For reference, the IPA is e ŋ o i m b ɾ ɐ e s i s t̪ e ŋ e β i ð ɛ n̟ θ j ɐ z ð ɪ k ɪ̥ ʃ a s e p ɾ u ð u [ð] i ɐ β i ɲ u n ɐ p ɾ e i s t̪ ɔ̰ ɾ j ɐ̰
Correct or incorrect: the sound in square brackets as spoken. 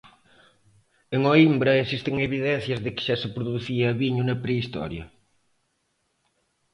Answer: incorrect: θ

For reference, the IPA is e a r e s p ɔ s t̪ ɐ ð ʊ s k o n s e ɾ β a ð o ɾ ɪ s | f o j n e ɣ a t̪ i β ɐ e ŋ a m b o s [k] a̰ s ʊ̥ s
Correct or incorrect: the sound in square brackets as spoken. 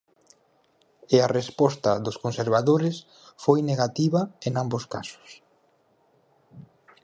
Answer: correct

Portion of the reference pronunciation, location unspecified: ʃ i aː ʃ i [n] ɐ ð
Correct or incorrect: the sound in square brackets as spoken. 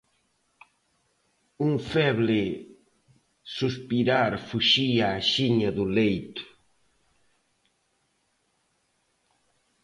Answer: incorrect: ɲ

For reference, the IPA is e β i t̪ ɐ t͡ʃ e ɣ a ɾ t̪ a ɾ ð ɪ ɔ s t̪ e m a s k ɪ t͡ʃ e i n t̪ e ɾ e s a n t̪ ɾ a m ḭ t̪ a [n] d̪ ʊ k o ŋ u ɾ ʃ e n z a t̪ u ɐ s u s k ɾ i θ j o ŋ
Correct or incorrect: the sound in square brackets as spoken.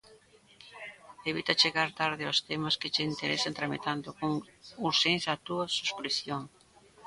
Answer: correct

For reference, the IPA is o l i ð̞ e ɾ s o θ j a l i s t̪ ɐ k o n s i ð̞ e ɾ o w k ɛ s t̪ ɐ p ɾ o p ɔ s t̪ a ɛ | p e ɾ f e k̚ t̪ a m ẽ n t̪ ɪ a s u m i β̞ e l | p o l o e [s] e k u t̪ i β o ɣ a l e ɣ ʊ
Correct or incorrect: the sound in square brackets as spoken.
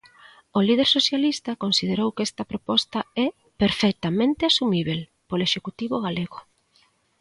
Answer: incorrect: ʃ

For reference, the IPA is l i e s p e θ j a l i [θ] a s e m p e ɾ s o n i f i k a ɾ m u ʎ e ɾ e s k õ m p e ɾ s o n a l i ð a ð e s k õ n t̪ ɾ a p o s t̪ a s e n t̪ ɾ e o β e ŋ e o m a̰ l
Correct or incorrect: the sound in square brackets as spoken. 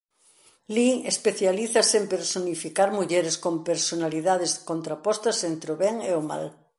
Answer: correct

